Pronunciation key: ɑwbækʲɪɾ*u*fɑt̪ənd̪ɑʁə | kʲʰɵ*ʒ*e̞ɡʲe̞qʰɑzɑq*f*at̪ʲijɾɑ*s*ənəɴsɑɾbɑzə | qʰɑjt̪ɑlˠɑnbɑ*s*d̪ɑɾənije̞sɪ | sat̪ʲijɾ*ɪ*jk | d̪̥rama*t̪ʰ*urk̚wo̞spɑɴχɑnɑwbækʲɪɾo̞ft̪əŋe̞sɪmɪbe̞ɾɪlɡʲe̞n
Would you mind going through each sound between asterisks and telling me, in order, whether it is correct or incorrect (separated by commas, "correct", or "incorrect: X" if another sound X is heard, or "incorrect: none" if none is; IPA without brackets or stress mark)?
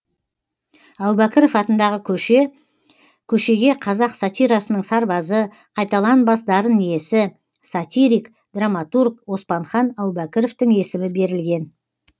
incorrect: o, incorrect: ʃ, incorrect: s, correct, correct, incorrect: i, incorrect: t̪